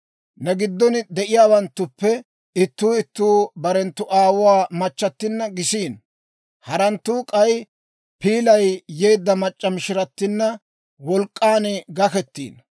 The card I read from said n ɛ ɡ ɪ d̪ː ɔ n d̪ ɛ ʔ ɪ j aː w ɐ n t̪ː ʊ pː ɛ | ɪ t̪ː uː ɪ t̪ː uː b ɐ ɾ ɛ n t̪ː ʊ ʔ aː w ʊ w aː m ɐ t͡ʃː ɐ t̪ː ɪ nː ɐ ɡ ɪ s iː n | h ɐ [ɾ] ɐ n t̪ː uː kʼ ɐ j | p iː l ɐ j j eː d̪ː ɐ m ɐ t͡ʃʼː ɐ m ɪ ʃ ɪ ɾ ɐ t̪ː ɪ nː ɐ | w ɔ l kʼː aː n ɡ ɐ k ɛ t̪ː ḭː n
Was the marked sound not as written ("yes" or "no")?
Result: no